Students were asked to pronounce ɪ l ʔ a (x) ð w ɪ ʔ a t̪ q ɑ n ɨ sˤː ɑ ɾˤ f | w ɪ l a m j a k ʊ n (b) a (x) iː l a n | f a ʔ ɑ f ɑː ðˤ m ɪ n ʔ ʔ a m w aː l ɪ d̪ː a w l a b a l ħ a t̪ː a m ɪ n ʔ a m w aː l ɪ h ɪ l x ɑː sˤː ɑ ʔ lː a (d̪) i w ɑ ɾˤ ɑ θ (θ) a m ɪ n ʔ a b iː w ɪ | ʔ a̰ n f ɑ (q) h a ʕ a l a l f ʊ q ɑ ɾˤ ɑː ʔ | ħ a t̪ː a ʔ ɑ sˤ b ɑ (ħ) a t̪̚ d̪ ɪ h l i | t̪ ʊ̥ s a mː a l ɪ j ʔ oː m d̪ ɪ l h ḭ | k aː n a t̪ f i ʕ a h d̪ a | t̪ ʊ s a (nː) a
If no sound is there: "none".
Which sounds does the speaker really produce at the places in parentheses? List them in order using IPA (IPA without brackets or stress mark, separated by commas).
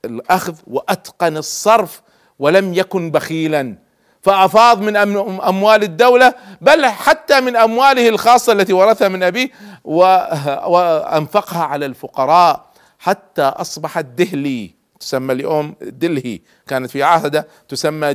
x, b, x, t̪, h, q, ħ, mː